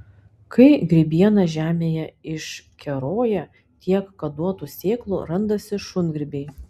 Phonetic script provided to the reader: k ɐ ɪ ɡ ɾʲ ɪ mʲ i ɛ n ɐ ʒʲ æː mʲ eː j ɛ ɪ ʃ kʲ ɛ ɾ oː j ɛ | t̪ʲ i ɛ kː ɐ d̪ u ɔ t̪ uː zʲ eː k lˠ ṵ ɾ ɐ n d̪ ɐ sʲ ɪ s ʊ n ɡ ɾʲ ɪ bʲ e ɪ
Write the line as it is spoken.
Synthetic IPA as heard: k ɐ ɪ ɡ ɾʲ ɪ bʲ i ɛ n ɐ ʒʲ æː mʲ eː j ɛ ɪ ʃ kʲ ɛ ɾ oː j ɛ | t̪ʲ i ɛ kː ɐ d̪ u ɔ t̪ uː sʲ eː k lˠ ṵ ɾ ɐ n d̪ ɐ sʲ ɪ ʃ ʊ n ɡ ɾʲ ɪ bʲ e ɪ